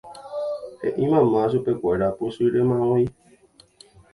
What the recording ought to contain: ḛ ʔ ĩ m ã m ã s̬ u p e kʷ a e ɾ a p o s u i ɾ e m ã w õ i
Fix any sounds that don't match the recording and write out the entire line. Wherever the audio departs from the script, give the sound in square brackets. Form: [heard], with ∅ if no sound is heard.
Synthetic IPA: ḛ ʔ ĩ m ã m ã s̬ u p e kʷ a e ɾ a p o s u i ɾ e m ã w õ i